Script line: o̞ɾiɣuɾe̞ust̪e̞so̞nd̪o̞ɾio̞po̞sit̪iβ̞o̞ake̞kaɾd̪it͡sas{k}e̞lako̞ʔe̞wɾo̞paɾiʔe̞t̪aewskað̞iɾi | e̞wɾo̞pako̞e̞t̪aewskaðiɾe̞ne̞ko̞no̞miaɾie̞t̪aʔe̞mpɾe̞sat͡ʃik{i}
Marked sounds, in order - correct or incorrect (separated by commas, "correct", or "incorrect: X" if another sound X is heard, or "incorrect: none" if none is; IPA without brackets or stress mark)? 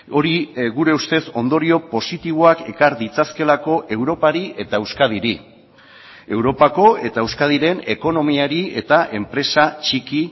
correct, correct